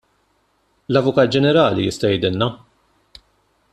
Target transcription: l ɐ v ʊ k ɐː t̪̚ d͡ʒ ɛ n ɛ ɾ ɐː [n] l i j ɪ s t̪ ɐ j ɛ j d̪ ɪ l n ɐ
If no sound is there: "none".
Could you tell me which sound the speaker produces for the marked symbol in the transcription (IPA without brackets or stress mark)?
none